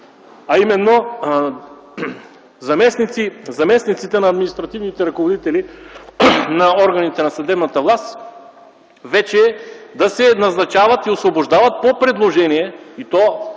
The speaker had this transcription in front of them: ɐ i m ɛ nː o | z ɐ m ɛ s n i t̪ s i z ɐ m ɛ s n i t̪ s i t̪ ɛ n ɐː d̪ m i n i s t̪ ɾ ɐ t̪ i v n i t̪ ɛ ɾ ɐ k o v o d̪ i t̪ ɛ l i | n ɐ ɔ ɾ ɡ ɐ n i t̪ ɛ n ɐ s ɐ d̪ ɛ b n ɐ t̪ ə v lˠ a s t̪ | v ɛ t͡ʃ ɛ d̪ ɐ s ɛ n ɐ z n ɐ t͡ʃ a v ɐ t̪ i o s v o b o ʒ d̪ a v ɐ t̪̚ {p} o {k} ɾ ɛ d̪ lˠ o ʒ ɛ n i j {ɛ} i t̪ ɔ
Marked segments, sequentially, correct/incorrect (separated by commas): correct, incorrect, correct